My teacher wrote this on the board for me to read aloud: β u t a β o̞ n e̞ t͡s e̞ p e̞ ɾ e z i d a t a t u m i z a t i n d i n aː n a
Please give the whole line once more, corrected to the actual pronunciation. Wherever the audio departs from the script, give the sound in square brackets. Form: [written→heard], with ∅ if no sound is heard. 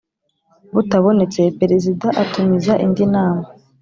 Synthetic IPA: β u t a β o̞ n e̞ t͡s e̞ p e̞ ɾ e z i d a [t→ʔ] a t u m i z a [t→ʔ] i n d i n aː [n→m] a